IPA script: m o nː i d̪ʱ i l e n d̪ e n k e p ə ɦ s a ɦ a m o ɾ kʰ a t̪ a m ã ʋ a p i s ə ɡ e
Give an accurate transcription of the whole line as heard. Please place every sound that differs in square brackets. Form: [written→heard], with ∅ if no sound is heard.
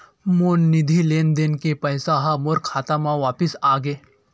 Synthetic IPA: m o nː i d̪ʱ i l e n d̪ e n k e p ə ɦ s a ɦ a m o ɾ kʰ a t̪ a m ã ʋ a p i s [ə→a] ɡ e

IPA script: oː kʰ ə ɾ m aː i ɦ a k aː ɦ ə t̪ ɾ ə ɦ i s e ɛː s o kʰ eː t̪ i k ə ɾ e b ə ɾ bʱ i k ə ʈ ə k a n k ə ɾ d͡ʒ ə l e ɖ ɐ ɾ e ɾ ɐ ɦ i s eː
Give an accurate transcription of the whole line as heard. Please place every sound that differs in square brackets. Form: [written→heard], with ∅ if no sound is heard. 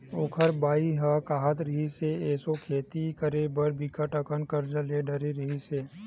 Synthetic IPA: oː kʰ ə ɾ [m→b] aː i ɦ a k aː ɦ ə t̪ ɾ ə ɦ i s e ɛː s o kʰ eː t̪ i k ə ɾ e b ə ɾ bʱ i k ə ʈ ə k [a→ə] n k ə ɾ d͡ʒ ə l e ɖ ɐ ɾ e ɾ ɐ ɦ i s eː

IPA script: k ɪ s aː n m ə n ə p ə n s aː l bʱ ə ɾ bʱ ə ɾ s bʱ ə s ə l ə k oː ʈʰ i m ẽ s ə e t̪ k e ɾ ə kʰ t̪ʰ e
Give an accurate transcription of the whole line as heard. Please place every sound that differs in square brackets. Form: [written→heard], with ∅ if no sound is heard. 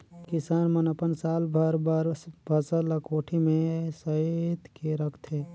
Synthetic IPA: k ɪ s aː n m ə n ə p ə n s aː l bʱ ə ɾ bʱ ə ɾ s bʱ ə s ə l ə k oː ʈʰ i m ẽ s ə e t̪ k e ɾ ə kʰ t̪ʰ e

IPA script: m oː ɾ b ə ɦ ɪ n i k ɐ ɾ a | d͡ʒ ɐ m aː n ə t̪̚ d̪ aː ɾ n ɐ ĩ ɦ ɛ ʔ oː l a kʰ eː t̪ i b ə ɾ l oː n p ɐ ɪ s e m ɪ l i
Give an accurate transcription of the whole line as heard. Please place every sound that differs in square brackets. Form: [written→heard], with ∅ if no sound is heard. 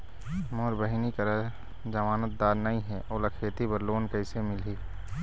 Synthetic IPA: m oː ɾ b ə ɦ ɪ n i k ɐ ɾ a | d͡ʒ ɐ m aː n ə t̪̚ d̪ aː ɾ n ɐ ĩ ɦ ɛ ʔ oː l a kʰ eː t̪ i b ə ɾ l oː n [p→k] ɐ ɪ s e m ɪ l i

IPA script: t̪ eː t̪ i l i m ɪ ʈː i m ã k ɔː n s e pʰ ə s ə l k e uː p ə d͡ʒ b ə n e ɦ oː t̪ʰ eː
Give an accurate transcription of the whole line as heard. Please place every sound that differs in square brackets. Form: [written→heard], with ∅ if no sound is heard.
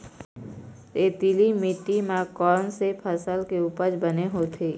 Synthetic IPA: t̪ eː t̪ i l i m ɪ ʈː i m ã k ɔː n s e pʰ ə s ə l k e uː p ə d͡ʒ b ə n e ɦ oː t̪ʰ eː

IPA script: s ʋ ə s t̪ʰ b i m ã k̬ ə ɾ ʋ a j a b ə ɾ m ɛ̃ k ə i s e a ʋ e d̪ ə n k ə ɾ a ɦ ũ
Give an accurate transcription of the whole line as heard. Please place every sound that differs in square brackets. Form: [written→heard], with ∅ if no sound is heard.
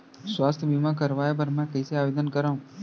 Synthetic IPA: s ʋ [ə→a] s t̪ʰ b i m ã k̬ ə ɾ ʋ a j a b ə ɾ m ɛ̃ k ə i s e a ʋ e d̪ ə n k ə ɾ a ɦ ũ

